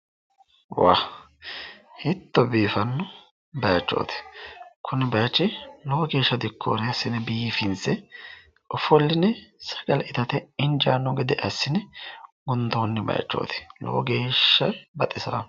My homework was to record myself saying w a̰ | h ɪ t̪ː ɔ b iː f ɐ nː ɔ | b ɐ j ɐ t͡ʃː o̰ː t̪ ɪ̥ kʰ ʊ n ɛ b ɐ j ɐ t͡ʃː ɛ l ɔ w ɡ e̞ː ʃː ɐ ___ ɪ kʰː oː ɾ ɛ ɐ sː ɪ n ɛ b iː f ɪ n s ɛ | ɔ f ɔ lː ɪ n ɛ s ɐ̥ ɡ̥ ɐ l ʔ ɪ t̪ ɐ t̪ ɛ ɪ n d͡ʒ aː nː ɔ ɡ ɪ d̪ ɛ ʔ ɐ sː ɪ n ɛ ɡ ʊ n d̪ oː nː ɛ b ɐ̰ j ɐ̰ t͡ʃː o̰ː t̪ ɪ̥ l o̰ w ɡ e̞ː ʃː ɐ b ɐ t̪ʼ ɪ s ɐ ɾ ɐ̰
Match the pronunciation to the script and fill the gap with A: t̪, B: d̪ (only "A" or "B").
B